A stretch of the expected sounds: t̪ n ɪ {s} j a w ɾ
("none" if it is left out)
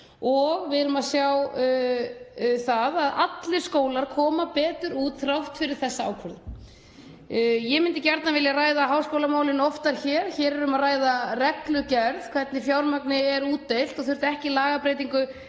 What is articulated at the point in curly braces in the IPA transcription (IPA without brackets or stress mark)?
f